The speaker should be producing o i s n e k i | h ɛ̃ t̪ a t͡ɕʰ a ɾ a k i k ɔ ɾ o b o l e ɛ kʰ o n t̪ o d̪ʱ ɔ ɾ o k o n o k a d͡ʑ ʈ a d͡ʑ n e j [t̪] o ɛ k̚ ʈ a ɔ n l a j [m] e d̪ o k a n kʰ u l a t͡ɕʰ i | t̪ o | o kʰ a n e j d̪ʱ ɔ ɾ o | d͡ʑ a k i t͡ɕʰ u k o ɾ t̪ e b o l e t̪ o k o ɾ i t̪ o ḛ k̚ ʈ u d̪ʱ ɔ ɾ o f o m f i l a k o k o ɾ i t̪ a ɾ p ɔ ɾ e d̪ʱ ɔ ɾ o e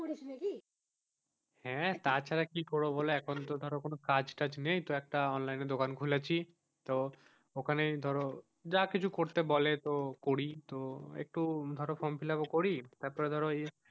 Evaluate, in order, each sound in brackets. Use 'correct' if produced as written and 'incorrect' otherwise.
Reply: correct, incorrect

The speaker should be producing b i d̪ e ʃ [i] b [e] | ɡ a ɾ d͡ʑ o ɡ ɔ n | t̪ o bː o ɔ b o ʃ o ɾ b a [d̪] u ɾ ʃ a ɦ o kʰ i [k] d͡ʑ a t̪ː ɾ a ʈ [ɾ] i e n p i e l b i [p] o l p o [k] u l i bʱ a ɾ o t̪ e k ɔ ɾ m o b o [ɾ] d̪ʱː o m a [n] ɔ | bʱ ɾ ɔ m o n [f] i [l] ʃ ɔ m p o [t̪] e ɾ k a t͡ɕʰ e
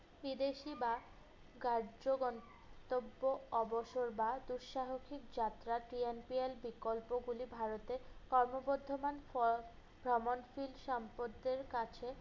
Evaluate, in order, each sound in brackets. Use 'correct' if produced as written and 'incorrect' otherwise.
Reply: correct, incorrect, correct, correct, correct, incorrect, incorrect, correct, correct, correct, correct, incorrect

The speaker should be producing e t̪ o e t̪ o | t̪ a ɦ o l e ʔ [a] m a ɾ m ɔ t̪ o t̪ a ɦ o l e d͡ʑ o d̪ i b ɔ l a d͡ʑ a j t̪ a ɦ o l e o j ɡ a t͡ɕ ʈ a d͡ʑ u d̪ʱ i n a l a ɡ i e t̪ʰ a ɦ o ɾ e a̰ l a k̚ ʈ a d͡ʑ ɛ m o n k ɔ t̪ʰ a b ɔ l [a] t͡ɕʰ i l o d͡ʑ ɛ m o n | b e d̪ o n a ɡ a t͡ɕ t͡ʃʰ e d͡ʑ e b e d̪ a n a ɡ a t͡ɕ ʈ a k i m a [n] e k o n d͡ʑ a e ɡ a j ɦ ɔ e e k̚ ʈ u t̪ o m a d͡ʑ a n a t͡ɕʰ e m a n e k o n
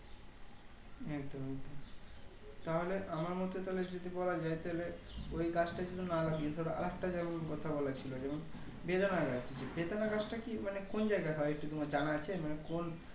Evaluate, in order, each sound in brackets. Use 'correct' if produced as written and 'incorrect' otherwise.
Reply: correct, correct, correct

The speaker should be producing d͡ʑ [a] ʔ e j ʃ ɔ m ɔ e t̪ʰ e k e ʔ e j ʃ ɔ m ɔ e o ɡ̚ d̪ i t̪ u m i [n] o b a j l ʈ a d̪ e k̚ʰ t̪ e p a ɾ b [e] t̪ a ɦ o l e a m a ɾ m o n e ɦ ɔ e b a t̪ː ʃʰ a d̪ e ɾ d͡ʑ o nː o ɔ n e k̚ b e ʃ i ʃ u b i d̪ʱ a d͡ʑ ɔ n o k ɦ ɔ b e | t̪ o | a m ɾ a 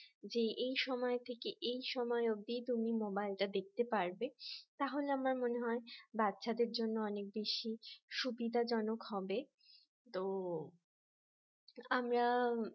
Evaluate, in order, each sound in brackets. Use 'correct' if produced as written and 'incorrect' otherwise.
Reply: incorrect, incorrect, correct

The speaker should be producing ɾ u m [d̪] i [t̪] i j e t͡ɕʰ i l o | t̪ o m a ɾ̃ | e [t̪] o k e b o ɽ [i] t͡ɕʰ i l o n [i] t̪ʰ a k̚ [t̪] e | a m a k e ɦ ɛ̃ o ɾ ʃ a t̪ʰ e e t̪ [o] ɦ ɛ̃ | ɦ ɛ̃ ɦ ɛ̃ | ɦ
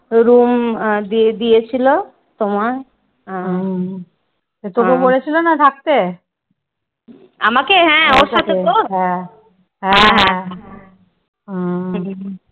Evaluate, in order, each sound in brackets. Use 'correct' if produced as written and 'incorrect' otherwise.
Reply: correct, incorrect, correct, incorrect, incorrect, correct, correct

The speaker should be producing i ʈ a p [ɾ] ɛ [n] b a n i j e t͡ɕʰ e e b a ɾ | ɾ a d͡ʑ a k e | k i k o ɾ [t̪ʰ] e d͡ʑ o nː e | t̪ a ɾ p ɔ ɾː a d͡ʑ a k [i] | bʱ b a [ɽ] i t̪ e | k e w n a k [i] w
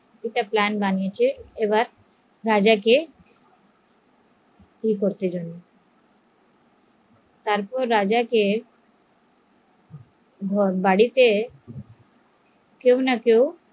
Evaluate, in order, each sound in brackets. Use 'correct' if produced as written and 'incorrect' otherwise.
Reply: incorrect, correct, incorrect, incorrect, correct, incorrect

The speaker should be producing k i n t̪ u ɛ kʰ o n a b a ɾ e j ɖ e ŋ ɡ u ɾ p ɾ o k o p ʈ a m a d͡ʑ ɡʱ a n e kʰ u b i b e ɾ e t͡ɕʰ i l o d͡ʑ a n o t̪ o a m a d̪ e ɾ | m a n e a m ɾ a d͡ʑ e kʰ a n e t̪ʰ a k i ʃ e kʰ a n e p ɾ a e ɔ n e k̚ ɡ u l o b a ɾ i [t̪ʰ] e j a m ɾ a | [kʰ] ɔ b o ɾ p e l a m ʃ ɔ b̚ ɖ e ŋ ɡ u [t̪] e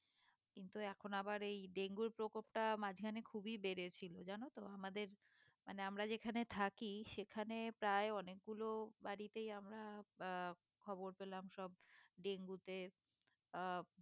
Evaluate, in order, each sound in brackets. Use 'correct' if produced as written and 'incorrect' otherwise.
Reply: incorrect, correct, correct

